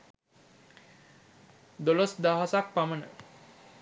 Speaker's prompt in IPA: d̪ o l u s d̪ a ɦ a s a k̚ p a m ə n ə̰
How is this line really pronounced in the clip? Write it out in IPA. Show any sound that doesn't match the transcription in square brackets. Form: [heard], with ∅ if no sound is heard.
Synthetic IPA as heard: d̪ o l [o] s d̪ a ɦ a s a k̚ p a m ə n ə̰

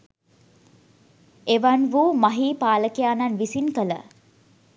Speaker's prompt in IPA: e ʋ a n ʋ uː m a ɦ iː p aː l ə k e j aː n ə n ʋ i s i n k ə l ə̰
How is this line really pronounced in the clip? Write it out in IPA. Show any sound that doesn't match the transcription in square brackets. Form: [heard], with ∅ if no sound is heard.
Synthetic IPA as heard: e ʋ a n ʋ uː m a ɦ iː p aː l ə k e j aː n [a] n ʋ i s i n k ə l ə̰

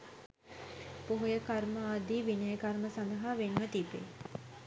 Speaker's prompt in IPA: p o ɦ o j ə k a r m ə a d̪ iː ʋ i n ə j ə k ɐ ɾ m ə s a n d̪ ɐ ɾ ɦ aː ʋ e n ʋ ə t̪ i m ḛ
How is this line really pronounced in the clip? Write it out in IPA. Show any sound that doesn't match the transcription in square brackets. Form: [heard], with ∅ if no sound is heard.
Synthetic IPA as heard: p o ɦ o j ə k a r m ə a d̪ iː ʋ i n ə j ə k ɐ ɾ m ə s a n d̪ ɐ [∅] ɦ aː ʋ e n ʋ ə t̪ i [b] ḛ

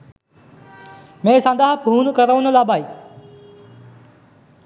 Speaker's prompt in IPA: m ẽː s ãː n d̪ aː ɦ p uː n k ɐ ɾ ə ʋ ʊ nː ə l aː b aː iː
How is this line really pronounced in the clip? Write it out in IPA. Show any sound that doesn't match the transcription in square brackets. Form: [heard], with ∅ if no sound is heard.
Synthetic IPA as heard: m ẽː s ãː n d̪ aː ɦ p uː n k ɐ ɾ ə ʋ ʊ [n] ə l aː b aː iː

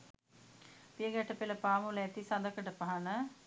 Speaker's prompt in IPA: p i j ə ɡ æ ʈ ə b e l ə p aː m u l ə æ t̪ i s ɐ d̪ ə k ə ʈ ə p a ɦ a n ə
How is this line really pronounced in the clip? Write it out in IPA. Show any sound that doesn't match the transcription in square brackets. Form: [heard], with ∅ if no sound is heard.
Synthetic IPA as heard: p i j ə ɡ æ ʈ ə [p] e l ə p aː m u l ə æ t̪ i s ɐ d̪ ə k ə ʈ ə p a ɦ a n ə

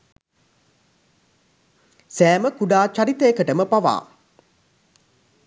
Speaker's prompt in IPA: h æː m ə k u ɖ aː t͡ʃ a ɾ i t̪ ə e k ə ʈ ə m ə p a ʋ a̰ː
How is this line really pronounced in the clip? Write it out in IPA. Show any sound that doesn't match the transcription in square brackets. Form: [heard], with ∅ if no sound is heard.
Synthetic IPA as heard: [s] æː m ə k u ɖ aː t͡ʃ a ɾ i t̪ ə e k ə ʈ ə m ə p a ʋ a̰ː

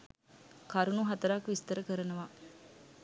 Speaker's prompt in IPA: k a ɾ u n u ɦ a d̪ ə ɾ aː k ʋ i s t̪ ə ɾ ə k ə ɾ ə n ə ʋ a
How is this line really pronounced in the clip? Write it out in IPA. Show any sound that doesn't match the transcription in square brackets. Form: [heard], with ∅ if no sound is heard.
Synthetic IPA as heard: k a ɾ u n u ɦ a [t̪] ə ɾ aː k ʋ i s t̪ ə ɾ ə k ə ɾ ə n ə ʋ a

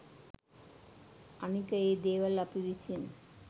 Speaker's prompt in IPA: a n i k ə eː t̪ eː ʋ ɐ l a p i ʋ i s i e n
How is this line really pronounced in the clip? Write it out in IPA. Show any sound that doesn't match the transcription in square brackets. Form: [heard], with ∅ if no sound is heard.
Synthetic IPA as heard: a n i k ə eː [d̪] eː ʋ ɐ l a p i ʋ i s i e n

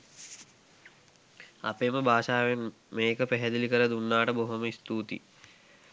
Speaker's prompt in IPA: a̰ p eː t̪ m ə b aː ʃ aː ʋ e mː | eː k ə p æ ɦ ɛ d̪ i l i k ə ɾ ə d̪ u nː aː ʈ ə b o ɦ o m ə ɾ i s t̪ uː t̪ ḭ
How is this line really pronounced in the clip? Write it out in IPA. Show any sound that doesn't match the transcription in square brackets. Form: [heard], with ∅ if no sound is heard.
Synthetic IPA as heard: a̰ p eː [∅] m ə b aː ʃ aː ʋ e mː | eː k ə p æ ɦ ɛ d̪ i l i k ə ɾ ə d̪ u nː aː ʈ ə b o ɦ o m ə [∅] i s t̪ uː t̪ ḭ

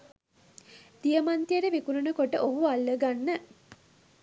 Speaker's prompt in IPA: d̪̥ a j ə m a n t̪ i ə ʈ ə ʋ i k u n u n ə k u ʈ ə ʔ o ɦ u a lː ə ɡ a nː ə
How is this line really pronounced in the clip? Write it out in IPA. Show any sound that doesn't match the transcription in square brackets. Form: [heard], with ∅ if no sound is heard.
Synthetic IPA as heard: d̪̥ [i] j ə m a n t̪ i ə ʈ ə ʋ i k u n u n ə k [o] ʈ ə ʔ o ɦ u a lː ə ɡ a nː ə

